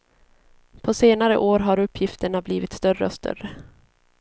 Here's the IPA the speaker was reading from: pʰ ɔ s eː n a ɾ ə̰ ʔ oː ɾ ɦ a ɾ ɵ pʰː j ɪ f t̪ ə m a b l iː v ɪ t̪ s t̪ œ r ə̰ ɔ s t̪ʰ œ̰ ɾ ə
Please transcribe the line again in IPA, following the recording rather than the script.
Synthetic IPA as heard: pʰ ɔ s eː n a ɾ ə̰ ʔ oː ɾ ɦ a ɾ ɵ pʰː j ɪ f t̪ ə ɳ a b l iː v ɪ t̪ s t̪ œ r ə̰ ɔ s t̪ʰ œ̰ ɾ ə